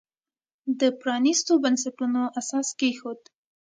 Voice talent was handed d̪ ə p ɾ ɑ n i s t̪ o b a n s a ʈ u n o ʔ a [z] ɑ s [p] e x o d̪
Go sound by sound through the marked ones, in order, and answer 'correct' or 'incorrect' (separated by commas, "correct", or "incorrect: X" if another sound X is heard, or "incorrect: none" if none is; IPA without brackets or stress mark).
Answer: incorrect: s, incorrect: k